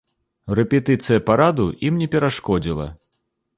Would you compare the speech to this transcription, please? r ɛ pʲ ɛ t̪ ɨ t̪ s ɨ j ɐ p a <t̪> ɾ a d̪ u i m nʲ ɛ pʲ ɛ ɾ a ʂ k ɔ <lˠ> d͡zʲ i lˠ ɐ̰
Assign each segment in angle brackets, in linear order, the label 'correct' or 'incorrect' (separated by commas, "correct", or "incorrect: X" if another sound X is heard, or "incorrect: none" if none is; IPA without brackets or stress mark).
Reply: incorrect: none, incorrect: none